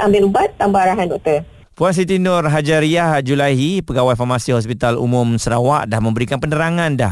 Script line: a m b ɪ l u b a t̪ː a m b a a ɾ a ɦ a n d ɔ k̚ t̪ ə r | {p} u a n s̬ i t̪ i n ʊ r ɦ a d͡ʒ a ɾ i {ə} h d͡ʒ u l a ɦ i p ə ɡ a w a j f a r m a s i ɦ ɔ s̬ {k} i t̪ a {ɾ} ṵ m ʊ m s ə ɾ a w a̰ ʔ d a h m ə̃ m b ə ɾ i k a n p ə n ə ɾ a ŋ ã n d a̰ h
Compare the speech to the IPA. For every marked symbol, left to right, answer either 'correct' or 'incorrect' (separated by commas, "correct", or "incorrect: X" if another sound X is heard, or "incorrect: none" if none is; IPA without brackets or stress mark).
correct, incorrect: a, incorrect: p, incorrect: l